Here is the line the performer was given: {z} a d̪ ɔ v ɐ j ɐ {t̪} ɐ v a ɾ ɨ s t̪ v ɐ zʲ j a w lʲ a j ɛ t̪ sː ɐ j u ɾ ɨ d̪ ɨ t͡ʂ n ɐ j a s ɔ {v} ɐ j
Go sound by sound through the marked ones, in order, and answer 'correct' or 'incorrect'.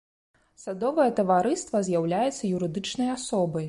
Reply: incorrect, correct, incorrect

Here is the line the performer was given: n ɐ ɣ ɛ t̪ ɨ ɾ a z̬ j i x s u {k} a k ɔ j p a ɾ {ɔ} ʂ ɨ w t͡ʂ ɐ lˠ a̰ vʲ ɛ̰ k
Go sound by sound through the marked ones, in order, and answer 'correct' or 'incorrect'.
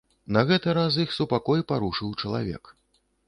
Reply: incorrect, incorrect

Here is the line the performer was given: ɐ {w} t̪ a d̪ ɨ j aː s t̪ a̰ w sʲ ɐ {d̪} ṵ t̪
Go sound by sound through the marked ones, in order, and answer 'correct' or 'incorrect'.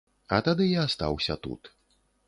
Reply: incorrect, incorrect

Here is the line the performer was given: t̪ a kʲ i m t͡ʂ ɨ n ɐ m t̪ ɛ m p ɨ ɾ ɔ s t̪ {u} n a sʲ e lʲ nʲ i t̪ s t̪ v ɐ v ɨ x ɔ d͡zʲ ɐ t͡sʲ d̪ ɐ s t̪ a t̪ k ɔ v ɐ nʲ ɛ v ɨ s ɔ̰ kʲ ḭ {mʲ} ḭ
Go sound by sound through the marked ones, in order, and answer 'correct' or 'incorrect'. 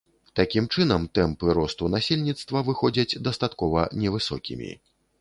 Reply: correct, correct

